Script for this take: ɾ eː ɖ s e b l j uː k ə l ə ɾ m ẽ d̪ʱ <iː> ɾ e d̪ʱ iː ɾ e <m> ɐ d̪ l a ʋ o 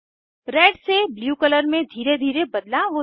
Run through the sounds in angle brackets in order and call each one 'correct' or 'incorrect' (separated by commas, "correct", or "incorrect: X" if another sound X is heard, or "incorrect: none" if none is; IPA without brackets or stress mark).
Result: correct, incorrect: b